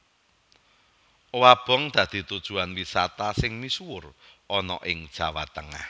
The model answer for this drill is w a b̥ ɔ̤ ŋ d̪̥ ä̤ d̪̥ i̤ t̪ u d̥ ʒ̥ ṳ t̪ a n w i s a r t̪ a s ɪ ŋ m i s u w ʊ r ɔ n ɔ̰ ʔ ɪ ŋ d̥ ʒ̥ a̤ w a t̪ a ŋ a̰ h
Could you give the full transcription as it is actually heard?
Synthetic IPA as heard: w a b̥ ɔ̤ ŋ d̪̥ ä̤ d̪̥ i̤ t̪ u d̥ ʒ̥ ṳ a n w i s a t̪ a s ɪ ŋ m i s u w ʊ r ɔ n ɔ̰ ʔ ɪ ŋ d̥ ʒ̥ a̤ w a t̪ ə ŋ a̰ h